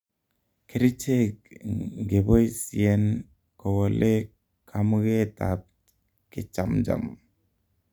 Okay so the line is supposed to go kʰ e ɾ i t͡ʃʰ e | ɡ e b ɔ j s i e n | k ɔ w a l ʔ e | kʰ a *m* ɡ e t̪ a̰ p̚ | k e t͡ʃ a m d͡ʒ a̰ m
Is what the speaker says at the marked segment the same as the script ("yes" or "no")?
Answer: yes